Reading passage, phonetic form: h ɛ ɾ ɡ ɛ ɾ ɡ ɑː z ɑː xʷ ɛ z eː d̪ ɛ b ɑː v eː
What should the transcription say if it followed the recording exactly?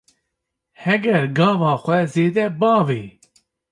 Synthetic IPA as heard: h ɛ ɡ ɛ ɾ ɡ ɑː v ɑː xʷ ɛ z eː d̪ ɛ b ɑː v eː